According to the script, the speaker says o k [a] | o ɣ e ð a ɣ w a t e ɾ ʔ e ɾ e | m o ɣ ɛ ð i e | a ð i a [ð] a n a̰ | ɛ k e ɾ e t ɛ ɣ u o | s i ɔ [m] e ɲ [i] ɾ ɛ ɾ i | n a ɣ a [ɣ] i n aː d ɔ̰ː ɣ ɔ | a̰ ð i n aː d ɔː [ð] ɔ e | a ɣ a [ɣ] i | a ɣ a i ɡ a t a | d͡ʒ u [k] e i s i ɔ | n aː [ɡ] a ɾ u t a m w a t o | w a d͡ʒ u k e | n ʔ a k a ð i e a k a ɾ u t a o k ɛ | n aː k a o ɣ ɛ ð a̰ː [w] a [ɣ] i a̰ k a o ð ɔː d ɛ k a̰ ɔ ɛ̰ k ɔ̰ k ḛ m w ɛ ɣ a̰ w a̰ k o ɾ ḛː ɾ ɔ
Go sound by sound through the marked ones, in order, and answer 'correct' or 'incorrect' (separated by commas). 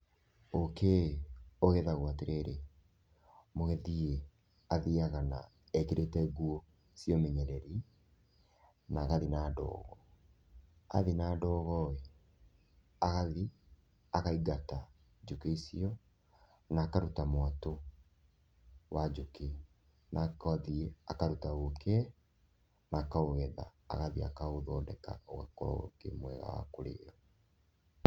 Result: incorrect, incorrect, correct, incorrect, incorrect, incorrect, incorrect, correct, incorrect, incorrect, incorrect